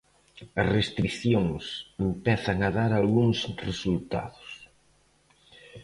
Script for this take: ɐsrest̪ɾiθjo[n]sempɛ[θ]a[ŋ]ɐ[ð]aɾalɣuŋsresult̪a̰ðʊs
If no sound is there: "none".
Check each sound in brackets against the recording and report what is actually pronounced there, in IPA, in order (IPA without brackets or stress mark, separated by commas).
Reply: ŋ, θ, ŋ, ð